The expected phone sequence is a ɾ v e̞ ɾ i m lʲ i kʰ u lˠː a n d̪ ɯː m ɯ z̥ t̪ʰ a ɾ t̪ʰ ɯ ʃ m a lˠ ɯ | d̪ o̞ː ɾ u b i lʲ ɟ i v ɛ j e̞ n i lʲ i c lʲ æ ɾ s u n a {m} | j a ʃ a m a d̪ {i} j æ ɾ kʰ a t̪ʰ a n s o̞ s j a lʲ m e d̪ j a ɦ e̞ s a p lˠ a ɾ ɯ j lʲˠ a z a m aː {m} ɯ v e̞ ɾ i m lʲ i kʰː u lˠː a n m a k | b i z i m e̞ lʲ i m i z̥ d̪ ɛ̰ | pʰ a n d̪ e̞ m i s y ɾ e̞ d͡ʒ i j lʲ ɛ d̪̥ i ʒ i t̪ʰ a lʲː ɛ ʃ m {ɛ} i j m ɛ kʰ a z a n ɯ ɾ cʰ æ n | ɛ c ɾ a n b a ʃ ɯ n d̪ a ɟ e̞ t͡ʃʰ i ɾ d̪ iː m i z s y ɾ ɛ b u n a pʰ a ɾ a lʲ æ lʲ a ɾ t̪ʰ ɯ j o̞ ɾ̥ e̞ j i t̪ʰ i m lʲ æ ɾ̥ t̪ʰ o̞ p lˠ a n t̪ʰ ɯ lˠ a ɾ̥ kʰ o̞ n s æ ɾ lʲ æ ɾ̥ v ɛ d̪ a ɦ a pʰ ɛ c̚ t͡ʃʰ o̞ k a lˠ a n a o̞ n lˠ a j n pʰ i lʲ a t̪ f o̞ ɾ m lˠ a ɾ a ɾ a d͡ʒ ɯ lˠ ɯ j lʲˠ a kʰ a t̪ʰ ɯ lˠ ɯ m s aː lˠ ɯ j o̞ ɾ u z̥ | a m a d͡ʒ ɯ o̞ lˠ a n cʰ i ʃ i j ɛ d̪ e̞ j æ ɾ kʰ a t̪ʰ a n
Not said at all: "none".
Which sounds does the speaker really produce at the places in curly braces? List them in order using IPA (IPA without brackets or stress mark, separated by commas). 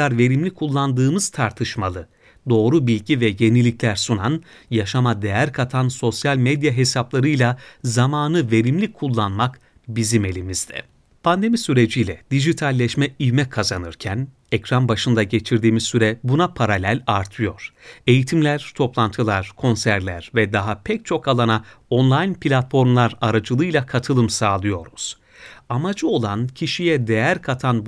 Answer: n, e, n, ɛ